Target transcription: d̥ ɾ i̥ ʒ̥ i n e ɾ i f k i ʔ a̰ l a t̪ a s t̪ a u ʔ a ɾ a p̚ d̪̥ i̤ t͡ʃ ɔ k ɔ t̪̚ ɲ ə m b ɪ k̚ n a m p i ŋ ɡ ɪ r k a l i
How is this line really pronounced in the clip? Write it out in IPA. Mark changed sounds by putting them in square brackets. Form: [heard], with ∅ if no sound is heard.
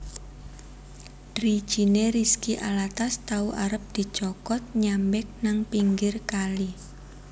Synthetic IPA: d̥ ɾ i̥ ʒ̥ i n e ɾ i [s] k i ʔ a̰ l a t̪ a s t̪ a u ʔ a ɾ [ə] p̚ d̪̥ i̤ t͡ʃ ɔ k ɔ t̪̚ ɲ [a] m b ɪ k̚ n a [ŋ] p i ŋ ɡ ɪ r k a l i